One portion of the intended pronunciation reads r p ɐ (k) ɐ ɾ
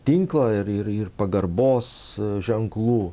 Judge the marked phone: incorrect: ɡ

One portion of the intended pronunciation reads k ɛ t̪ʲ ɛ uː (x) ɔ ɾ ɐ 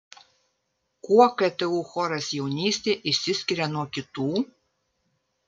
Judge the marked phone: correct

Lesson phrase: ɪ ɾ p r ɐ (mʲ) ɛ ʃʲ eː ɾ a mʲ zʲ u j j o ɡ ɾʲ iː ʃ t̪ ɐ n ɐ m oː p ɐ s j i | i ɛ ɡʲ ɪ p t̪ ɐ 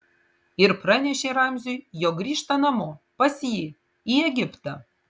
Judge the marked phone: incorrect: nʲ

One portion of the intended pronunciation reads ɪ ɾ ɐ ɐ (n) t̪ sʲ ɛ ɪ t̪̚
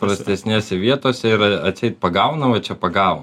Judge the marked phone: incorrect: none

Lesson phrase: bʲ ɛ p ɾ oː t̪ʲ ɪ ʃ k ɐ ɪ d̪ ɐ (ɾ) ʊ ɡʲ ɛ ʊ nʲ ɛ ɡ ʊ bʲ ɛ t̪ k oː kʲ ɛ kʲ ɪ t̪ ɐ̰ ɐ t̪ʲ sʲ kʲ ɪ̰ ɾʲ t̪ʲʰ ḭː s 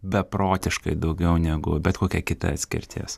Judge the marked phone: incorrect: none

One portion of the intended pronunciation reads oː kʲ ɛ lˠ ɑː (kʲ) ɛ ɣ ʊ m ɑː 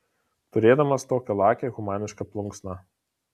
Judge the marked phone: correct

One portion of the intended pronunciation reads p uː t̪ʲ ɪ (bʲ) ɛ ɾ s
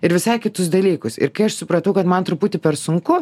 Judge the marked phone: incorrect: pʲ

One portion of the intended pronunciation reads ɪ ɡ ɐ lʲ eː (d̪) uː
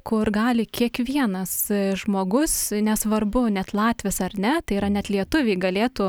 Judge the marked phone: incorrect: t̪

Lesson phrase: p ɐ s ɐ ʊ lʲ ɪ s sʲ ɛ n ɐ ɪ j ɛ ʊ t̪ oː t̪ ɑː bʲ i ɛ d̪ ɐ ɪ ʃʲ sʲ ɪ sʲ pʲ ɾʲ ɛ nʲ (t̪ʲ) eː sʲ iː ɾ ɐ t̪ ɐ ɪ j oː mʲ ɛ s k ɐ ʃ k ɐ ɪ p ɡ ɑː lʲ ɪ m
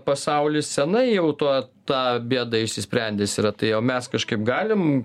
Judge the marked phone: incorrect: d̪ʲ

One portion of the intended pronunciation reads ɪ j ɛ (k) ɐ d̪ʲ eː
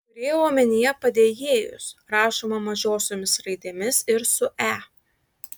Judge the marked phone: incorrect: p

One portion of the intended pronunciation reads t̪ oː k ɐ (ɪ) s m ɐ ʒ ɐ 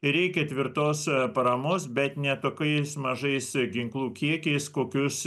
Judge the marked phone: correct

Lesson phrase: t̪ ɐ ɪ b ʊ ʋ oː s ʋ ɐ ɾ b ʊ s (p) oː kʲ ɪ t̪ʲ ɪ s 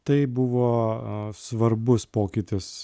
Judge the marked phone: correct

